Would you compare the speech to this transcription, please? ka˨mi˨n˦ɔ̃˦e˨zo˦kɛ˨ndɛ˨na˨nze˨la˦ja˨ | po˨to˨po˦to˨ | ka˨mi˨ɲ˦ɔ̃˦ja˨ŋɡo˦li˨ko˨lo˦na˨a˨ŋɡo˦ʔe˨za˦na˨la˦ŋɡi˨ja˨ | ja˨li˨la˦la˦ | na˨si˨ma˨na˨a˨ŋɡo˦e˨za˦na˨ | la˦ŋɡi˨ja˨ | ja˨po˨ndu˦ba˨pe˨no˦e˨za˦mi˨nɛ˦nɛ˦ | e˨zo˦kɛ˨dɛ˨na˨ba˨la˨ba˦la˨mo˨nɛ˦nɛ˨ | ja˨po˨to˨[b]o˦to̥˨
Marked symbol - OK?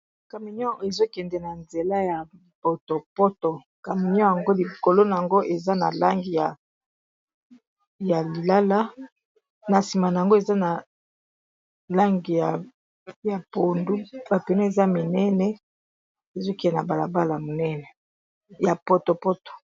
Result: no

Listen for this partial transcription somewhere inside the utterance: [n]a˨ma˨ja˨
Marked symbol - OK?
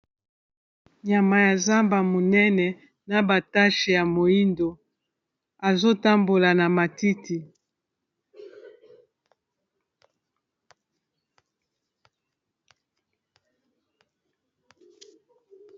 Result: no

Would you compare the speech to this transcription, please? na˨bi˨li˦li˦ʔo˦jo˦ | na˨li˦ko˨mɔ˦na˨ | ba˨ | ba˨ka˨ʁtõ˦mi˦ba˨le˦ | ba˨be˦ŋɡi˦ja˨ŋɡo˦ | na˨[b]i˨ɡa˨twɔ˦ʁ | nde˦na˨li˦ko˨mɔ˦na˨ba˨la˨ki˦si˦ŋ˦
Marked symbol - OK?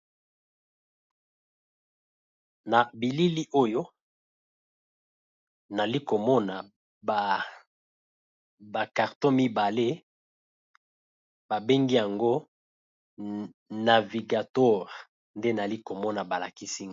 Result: no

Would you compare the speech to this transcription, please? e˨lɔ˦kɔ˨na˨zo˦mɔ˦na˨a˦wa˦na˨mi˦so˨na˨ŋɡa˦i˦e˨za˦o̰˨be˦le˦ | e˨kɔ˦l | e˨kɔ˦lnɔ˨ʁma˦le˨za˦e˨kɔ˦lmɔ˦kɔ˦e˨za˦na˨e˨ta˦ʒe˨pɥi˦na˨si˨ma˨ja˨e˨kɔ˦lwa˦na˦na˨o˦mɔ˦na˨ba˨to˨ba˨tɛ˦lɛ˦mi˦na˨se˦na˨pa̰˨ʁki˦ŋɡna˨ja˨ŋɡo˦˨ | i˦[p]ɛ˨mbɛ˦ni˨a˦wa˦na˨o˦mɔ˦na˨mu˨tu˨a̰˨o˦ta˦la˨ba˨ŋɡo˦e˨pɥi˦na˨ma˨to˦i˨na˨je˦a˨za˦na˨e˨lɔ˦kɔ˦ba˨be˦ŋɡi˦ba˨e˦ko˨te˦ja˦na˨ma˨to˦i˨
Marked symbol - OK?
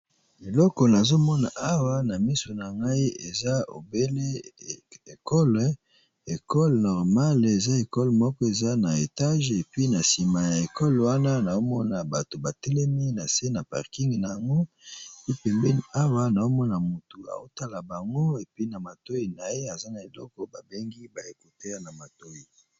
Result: yes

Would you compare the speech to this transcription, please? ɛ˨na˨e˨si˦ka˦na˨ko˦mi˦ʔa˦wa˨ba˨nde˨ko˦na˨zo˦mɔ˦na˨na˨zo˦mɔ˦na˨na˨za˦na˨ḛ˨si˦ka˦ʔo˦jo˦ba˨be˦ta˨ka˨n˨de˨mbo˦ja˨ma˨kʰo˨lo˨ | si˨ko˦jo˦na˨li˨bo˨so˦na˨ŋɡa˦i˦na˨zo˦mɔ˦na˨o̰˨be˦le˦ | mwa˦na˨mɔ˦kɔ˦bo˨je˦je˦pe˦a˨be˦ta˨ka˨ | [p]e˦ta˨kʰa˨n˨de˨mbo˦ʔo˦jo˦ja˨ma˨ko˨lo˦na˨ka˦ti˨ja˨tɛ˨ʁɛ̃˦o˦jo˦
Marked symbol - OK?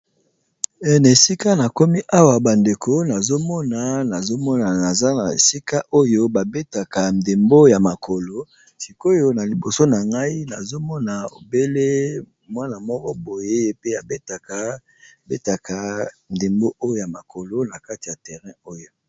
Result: no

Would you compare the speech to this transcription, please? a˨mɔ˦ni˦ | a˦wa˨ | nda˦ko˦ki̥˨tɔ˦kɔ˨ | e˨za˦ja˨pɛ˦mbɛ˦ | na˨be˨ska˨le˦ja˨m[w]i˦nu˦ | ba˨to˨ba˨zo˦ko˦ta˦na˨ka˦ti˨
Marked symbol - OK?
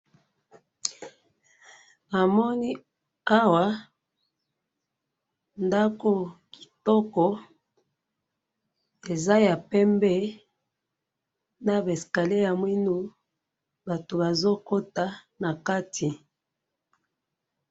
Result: yes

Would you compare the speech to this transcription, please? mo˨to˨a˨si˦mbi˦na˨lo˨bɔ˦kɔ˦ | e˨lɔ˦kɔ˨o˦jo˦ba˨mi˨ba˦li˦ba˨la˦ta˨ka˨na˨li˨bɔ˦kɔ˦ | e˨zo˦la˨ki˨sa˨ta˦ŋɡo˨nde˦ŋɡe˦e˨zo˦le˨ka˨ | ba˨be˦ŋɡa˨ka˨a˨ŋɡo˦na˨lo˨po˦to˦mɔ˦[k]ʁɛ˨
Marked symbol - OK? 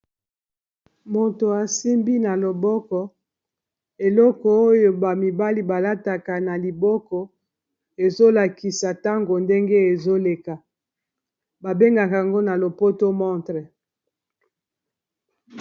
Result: no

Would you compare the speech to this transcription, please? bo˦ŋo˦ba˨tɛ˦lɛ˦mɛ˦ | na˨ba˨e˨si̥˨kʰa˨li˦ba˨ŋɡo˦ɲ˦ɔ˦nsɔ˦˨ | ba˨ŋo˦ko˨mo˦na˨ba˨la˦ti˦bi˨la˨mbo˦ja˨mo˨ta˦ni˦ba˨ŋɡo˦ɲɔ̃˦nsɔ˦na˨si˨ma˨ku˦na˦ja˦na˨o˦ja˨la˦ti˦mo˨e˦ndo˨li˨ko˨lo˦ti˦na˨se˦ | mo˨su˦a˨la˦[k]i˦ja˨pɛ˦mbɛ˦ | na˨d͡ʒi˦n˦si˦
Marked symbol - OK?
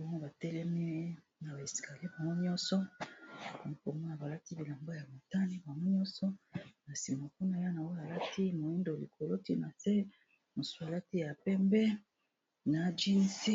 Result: no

